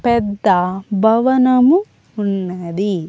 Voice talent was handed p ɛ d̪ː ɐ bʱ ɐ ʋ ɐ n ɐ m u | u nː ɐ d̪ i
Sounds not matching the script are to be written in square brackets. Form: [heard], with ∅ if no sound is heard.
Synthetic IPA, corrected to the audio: p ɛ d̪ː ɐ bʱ ɐ ʋ ɐ n ɐ m u | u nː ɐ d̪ i

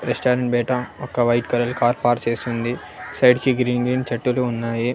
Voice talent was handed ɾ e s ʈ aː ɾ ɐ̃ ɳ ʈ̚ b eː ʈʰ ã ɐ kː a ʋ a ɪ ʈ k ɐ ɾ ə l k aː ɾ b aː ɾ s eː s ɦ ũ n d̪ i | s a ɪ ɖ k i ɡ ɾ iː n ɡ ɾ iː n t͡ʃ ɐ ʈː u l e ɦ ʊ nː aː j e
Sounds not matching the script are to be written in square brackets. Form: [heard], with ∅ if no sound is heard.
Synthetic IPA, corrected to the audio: ɾ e s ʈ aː ɾ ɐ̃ ɳ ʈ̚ b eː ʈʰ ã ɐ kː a ʋ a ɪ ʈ k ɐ ɾ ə l k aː ɾ [p] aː ɾ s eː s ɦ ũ n d̪ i | s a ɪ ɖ k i ɡ ɾ iː n ɡ ɾ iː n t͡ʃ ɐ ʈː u l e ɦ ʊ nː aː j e

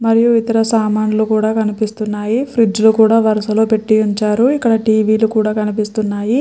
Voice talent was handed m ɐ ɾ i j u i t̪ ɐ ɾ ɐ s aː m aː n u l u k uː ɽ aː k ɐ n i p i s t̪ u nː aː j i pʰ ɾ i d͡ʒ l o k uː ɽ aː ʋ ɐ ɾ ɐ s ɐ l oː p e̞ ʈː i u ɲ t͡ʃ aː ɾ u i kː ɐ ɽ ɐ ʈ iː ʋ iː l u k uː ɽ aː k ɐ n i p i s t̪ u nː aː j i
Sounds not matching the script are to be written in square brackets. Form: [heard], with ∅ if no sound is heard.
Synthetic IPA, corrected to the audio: m ɐ ɾ i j u i t̪ ɐ ɾ ɐ s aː m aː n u l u k uː ɽ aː k ɐ n i p i s t̪ u nː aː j i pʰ ɾ i d͡ʒ l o k uː ɽ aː ʋ ɐ ɾ ɐ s ɐ l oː p e̞ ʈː i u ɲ t͡ʃ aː ɾ u i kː ɐ ɽ ɐ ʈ iː ʋ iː l u k uː ɽ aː k ɐ n i p i s t̪ u nː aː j i

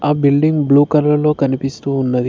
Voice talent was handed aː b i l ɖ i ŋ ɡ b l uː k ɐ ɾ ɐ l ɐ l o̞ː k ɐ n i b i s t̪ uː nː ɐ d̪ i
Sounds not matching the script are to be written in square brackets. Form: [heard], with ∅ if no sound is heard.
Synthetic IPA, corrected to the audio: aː b i l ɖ i ŋ ɡ b l uː k ɐ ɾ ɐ l ɐ l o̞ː k ɐ n i [p] i s t̪ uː nː ɐ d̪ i

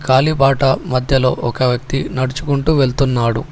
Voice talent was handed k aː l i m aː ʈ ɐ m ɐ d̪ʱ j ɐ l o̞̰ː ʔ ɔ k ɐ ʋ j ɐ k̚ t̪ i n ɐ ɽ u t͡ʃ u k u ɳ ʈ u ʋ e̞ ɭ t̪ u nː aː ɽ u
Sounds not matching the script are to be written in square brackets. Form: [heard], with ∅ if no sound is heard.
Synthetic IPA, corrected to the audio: k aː l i [b] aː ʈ ɐ m ɐ d̪ʱ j ɐ l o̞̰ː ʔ ɔ k ɐ ʋ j ɐ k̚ t̪ i n ɐ ɽ u t͡ʃ u k u ɳ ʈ u ʋ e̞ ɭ t̪ u nː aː ɽ u

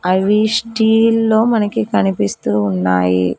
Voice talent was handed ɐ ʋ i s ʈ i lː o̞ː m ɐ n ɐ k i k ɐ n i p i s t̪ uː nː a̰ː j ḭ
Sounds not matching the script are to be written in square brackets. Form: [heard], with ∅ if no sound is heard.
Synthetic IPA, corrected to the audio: ɐ ʋ i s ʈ [iː] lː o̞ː m ɐ n ɐ k i k ɐ n i p i s t̪ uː nː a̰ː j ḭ

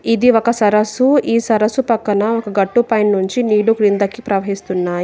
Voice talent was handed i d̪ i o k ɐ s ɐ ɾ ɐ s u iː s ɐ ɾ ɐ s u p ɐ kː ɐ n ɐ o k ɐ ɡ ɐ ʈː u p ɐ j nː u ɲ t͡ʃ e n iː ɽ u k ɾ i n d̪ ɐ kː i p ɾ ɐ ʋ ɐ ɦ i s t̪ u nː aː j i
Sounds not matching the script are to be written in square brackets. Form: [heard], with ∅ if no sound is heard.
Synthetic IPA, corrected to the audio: i d̪ i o k ɐ s ɐ ɾ ɐ s u iː s ɐ ɾ ɐ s u p ɐ kː ɐ n ɐ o k ɐ ɡ ɐ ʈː u p ɐ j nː u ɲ t͡ʃ [i] n iː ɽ u k ɾ i n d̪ ɐ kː i p ɾ ɐ ʋ ɐ ɦ i s t̪ u nː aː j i

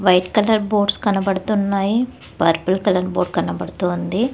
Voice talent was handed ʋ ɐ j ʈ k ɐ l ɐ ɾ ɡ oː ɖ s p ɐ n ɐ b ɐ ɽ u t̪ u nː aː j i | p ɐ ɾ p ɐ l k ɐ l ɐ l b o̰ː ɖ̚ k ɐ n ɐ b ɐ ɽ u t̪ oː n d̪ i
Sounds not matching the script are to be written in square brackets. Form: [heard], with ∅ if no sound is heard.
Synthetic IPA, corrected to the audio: ʋ ɐ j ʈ k ɐ l ɐ ɾ [b] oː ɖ s [k] ɐ n ɐ b ɐ ɽ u t̪ u nː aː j i | p ɐ ɾ p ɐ l k ɐ l ɐ [ɾ] b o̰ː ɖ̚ k ɐ n ɐ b ɐ ɽ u t̪ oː n d̪ i

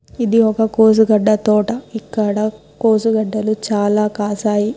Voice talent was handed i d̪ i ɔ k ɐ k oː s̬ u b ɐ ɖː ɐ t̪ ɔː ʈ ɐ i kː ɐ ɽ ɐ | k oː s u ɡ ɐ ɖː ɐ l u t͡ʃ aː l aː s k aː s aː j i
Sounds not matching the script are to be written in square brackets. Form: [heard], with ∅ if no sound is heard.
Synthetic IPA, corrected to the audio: i d̪ i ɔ k ɐ k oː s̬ u [ɡ] ɐ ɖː ɐ t̪ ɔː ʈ ɐ i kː ɐ ɽ ɐ | k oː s u ɡ ɐ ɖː ɐ l u t͡ʃ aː l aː [∅] k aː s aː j i

